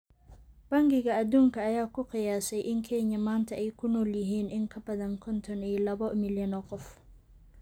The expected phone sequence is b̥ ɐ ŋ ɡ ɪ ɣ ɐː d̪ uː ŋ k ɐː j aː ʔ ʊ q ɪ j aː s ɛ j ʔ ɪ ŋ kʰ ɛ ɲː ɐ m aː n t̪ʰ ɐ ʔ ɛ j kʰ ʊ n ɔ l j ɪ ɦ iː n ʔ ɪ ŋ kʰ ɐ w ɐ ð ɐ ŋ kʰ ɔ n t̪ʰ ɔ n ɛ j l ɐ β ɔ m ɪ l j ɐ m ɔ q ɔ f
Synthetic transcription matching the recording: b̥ ɐ ŋ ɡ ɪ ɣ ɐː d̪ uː ŋ k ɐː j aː k ʊ q ɪ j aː s ɛ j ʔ ɪ ŋ kʰ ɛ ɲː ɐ m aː n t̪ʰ ɐ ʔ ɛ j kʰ ʊ n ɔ l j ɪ ɦ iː n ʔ ɪ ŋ kʰ ɐ b ɐ ð ɐ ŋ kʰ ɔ n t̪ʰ ɔ n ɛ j l ɐ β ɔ m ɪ l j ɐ n ɔ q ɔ f